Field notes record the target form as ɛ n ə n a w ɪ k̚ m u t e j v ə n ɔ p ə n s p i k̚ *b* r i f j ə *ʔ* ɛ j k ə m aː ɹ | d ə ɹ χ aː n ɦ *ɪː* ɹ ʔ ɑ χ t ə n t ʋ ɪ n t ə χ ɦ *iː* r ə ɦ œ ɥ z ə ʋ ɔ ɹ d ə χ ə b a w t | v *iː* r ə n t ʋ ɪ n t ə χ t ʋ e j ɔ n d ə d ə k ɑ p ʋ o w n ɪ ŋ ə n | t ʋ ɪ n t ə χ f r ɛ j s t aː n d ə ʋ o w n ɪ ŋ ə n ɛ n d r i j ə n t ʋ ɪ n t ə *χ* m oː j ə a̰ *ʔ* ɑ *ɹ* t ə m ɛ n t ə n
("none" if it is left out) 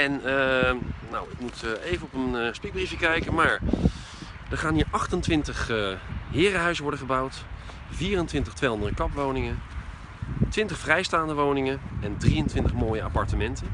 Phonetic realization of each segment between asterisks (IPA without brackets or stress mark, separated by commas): b, k, iː, ɪː, iː, χ, p, ɹ